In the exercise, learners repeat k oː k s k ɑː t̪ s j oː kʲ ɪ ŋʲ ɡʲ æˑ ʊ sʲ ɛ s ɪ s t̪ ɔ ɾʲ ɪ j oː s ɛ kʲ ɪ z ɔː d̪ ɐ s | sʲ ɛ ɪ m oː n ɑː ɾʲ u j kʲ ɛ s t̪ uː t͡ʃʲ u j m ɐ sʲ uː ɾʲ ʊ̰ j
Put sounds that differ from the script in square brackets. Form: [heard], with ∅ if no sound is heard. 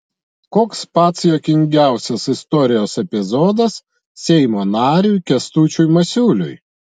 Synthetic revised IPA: k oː k s [p] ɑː t̪ s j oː kʲ ɪ ŋʲ ɡʲ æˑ ʊ sʲ ɛ s ɪ s t̪ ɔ ɾʲ ɪ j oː s ɛ [pʲ] ɪ z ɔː d̪ ɐ s | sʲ ɛ ɪ m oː n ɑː ɾʲ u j kʲ ɛ s t̪ uː t͡ʃʲ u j m ɐ sʲ uː [lʲ] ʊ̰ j